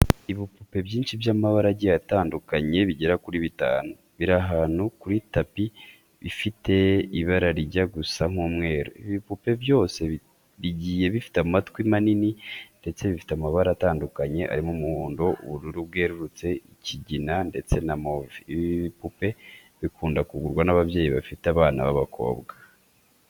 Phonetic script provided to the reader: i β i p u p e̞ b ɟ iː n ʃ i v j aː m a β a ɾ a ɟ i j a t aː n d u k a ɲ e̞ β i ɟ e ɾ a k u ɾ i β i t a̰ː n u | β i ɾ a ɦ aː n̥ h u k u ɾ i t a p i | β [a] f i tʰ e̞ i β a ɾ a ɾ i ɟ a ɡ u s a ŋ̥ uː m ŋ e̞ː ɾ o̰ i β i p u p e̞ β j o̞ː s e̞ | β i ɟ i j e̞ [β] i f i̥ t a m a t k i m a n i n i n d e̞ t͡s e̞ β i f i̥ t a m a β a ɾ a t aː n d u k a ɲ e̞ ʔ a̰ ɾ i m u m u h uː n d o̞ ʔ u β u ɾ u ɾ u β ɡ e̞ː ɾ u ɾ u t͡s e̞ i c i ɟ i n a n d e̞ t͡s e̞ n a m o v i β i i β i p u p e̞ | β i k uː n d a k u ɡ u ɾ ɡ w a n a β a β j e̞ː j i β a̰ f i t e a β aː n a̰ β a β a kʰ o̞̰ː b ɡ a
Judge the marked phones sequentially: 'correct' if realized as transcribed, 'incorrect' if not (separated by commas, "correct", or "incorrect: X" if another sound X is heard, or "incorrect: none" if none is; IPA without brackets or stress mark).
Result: incorrect: i, correct